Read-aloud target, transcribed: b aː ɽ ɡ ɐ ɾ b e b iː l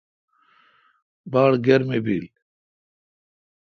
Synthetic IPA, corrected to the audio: b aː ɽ ɡ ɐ ɾ m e b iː l